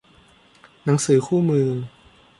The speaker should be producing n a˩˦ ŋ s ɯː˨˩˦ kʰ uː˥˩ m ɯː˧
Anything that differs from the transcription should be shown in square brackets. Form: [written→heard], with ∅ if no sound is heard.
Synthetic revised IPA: n a˩˦ ŋ s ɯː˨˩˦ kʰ uː˥˩ m ɯː˧